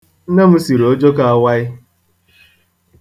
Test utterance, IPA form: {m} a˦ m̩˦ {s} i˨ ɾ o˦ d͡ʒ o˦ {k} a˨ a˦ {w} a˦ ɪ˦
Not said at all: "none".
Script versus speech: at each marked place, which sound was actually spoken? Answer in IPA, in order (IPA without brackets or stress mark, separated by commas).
n, s, k, w